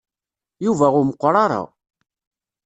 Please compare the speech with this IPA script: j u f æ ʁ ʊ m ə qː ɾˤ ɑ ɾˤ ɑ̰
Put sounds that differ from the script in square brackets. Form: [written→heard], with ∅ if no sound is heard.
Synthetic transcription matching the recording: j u [f→v] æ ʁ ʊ m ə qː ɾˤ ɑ ɾˤ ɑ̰